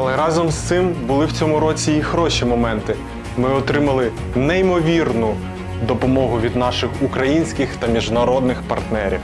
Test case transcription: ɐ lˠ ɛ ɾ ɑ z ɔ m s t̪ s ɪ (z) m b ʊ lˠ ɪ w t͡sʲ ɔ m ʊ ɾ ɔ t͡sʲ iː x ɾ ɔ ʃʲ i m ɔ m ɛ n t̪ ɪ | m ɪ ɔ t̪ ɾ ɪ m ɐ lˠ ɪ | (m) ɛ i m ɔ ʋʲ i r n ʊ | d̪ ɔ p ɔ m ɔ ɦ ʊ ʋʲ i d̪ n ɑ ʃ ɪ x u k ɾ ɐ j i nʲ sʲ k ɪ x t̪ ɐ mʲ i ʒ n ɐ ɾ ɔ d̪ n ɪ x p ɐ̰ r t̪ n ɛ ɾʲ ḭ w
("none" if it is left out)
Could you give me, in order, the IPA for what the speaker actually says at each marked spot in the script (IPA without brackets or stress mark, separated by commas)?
none, n